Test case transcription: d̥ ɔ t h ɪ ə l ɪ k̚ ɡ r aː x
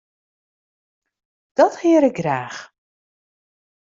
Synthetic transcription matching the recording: d̥ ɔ t h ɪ ə ɾ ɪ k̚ ɡ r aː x